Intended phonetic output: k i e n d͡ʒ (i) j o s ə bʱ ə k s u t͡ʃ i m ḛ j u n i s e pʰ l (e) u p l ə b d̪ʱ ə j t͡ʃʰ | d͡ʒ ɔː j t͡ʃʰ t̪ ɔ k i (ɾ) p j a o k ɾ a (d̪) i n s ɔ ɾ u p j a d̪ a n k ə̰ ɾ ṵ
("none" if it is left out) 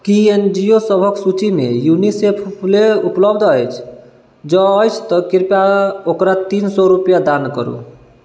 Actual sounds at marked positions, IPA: i, e, ɾ, t̪

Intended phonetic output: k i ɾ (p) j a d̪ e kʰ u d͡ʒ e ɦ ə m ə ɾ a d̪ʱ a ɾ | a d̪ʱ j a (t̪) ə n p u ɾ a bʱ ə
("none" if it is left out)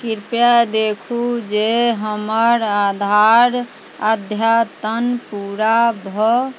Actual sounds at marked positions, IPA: p, t̪

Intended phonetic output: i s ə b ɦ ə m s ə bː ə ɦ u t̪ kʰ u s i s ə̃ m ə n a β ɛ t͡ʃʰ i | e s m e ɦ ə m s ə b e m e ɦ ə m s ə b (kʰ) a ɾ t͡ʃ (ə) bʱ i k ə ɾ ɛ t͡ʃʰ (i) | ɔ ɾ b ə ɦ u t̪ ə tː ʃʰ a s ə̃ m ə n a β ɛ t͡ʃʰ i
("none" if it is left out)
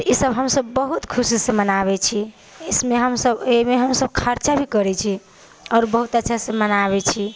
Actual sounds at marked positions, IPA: kʰ, a, i

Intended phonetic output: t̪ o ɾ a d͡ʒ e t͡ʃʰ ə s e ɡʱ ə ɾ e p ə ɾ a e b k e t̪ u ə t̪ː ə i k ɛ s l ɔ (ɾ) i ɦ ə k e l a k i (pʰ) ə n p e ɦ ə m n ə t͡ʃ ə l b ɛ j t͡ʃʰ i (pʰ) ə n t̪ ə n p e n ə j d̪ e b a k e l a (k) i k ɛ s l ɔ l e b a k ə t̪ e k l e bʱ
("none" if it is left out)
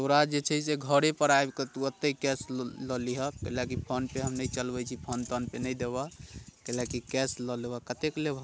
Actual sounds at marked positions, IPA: l, pʰ, pʰ, k

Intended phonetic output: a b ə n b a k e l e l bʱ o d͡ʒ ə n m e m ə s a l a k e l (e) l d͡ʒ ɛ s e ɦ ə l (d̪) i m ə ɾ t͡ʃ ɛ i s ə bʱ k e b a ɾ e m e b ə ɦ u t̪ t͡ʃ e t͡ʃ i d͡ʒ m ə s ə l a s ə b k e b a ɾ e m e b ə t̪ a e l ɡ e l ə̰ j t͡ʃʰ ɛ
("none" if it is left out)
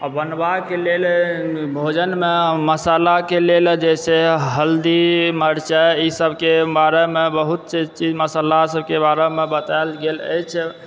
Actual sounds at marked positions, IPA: e, d̪

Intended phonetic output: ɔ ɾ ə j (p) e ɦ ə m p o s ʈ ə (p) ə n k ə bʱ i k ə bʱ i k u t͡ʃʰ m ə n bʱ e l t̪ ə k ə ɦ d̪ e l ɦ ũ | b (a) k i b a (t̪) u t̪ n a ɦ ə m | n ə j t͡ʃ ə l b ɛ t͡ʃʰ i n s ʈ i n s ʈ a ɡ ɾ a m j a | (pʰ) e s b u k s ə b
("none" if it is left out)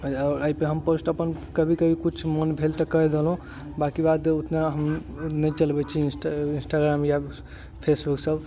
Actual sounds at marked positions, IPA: p, p, a, d̪, pʰ

